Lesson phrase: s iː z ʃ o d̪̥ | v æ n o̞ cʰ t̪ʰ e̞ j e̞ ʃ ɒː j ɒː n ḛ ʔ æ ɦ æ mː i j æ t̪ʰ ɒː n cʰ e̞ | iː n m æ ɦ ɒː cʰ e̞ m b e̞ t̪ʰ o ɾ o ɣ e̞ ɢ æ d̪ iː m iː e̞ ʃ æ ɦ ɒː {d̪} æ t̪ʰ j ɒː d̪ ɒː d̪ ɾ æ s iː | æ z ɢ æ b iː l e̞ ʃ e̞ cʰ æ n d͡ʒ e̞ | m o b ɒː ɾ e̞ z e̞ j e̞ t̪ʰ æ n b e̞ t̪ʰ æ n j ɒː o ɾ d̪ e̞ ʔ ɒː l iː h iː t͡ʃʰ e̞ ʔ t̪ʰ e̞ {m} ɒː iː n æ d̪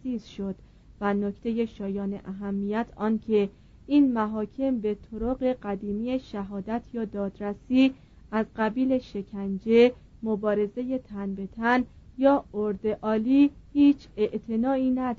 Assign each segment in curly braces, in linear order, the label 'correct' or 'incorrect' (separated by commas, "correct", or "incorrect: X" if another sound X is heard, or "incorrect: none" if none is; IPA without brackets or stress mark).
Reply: correct, incorrect: n